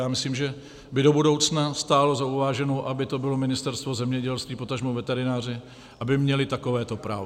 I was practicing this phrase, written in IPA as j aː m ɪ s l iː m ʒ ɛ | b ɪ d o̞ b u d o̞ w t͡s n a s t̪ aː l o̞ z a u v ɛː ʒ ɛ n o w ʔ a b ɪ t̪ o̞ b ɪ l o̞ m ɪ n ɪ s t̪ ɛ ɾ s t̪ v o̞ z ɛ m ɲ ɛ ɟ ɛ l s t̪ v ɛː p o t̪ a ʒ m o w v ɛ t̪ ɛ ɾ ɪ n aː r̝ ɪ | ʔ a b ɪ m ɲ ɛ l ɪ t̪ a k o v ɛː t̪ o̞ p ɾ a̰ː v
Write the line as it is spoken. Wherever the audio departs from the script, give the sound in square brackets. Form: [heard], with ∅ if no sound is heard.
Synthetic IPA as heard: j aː m ɪ s l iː m ʒ ɛ | b ɪ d o̞ b u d o̞ w t͡s n a s t̪ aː l o̞ z a u v [aː] ʒ ɛ n o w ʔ a b ɪ t̪ o̞ b ɪ l o̞ m ɪ n ɪ s t̪ ɛ ɾ s t̪ v o̞ z ɛ m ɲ ɛ ɟ ɛ l s t̪ v [iː] p o t̪ a ʒ m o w v ɛ t̪ ɛ ɾ ɪ n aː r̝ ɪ | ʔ a b ɪ m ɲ ɛ l ɪ t̪ a k o v ɛː t̪ o̞ p ɾ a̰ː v